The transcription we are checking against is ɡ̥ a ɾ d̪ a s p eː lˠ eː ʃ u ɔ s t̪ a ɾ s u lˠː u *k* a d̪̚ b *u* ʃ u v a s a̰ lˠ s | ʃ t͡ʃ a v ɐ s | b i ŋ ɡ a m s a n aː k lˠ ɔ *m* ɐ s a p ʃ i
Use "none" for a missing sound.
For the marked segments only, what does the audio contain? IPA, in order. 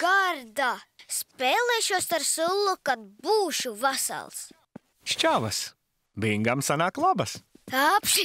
k, uː, b

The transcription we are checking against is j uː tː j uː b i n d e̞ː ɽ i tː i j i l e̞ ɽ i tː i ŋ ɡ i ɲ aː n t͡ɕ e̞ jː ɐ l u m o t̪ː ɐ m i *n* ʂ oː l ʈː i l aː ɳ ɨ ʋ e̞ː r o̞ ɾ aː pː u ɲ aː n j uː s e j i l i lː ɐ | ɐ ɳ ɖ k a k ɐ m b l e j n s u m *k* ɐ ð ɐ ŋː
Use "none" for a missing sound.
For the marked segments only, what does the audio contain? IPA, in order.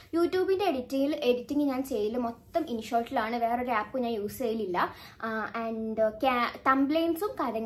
n, k

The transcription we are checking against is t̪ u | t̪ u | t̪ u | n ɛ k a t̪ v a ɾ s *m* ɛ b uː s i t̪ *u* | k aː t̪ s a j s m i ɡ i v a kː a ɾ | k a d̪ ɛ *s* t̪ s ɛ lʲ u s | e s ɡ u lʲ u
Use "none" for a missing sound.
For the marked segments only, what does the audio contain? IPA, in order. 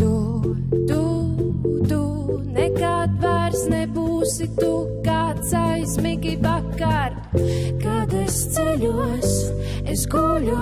n, u, s

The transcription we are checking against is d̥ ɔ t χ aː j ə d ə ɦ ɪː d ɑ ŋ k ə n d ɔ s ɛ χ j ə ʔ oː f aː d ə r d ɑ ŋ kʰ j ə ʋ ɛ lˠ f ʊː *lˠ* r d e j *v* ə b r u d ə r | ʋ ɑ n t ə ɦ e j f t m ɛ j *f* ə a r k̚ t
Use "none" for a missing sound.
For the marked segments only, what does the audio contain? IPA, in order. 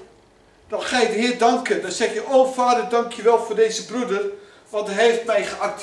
none, z, χ

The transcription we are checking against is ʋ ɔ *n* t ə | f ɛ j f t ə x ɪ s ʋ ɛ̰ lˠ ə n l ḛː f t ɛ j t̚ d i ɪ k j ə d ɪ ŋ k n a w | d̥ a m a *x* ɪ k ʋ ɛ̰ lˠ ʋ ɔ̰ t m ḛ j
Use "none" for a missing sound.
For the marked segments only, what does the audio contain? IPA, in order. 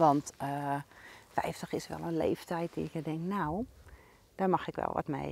n, x

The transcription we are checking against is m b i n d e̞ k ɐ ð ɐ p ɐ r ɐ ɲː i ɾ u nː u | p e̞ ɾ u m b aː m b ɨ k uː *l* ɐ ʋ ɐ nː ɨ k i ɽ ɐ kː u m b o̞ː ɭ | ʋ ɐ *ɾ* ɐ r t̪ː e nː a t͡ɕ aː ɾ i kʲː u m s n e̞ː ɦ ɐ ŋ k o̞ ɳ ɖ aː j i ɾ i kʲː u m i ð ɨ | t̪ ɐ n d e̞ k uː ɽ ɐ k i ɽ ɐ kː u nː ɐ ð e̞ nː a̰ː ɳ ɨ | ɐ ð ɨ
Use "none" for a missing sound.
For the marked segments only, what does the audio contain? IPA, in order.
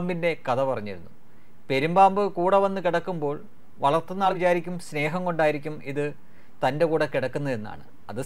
ɽ, ɭ

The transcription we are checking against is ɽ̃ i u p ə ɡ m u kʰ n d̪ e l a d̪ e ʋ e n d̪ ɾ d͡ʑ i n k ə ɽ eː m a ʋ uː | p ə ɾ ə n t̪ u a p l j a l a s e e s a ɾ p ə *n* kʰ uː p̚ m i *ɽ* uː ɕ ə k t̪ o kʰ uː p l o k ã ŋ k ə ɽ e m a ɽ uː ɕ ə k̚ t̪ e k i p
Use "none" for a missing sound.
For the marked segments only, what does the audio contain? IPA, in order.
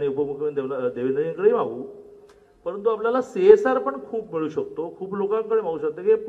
ɳ, ɭ

